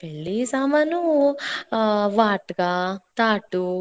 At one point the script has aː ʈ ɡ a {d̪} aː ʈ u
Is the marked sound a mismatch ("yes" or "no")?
yes